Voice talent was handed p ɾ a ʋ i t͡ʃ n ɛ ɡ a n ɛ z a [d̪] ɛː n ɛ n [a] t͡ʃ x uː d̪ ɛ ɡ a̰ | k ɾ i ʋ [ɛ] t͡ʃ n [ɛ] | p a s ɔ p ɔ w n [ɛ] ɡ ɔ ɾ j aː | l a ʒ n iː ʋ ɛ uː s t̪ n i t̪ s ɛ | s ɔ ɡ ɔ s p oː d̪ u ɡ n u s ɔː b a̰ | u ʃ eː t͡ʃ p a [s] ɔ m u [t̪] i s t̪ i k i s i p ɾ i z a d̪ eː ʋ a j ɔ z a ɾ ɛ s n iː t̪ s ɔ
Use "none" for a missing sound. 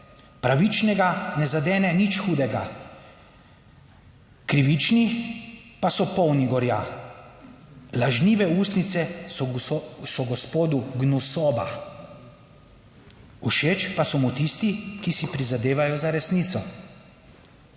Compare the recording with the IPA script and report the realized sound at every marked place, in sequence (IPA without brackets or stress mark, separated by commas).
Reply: d̪, i, i, i, i, s, t̪